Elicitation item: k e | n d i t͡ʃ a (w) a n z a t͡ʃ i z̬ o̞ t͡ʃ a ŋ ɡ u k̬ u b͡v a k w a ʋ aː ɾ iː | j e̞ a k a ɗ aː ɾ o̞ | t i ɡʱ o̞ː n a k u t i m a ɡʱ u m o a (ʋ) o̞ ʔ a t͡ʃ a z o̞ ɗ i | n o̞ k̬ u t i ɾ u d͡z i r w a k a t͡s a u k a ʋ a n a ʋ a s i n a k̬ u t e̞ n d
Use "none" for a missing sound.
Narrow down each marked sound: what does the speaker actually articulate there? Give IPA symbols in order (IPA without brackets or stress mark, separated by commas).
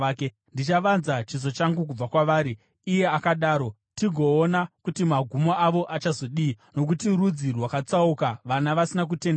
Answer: ʋ, ʋ